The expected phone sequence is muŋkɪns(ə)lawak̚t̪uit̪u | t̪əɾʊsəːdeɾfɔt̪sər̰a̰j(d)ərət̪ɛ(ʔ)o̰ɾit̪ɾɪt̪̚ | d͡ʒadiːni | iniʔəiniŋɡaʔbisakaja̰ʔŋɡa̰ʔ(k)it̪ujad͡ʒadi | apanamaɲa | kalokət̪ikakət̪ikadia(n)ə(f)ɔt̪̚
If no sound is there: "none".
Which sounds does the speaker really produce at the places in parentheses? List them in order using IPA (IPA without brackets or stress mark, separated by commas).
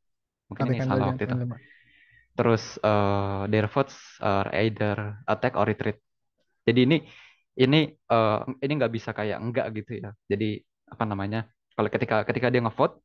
a, d, k, ɡ, ŋ, f